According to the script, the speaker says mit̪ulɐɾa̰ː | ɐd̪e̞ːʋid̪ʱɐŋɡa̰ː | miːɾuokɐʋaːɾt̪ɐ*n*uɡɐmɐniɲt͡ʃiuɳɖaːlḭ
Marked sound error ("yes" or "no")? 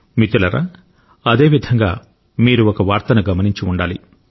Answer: no